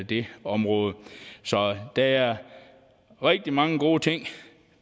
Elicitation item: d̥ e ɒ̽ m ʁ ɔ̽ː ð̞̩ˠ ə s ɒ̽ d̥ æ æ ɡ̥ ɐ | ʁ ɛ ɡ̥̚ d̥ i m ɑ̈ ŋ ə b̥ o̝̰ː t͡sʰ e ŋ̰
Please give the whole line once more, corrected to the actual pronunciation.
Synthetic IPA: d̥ e ɒ̽ m ʁ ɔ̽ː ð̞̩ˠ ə s ɒ̽ d̥ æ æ ɐ | ʁ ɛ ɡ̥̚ d̥ i m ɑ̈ ŋ ə ɡ̥ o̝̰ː t͡sʰ e ŋ̰